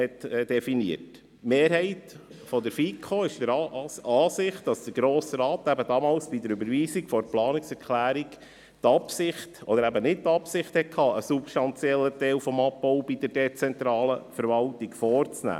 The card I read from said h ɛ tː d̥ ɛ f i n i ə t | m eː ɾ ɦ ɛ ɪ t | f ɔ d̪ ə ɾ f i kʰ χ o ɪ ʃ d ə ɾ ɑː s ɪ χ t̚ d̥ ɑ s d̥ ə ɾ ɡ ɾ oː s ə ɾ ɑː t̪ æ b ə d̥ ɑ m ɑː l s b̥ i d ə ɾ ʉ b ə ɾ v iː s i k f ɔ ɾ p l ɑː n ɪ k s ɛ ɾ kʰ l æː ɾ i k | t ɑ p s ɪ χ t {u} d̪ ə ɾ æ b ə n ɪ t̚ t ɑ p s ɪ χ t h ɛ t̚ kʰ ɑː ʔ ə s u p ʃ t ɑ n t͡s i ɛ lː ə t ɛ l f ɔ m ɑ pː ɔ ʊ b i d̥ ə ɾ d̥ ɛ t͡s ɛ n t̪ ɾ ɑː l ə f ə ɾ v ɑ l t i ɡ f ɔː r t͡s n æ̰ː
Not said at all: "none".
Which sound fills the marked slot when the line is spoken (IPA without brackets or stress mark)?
ɔ